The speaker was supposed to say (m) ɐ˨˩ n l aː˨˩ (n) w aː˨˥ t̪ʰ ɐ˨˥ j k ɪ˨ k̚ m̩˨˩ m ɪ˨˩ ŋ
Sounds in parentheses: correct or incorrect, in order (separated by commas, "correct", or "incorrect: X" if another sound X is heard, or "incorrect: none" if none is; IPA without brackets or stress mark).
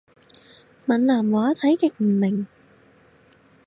correct, incorrect: m